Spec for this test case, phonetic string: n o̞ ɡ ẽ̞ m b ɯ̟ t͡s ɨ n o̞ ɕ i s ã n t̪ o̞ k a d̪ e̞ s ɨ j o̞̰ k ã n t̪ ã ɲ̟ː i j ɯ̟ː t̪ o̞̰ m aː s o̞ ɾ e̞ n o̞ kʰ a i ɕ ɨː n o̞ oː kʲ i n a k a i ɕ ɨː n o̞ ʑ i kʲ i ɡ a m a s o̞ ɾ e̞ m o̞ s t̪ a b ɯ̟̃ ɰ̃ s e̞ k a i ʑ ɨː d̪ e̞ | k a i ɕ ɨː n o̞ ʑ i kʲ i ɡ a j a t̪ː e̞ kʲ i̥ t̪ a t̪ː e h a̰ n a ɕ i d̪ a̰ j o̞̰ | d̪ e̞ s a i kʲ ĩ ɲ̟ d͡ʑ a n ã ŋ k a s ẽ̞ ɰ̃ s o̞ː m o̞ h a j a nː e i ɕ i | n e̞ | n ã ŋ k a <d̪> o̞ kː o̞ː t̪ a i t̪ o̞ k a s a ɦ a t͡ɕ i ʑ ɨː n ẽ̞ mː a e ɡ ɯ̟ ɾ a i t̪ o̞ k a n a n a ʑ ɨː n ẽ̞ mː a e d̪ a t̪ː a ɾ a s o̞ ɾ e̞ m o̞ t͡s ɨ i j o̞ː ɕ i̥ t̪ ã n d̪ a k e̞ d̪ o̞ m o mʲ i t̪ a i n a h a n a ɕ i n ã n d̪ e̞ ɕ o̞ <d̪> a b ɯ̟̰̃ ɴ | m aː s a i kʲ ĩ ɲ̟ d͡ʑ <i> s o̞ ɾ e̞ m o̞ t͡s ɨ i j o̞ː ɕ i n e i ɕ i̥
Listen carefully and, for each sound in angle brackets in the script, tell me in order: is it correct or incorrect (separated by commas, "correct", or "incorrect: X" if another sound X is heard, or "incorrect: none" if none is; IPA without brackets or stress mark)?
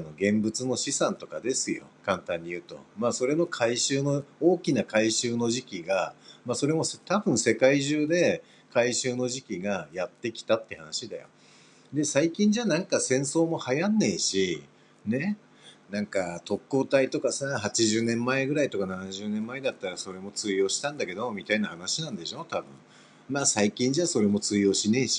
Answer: incorrect: t̪, incorrect: t̪, incorrect: a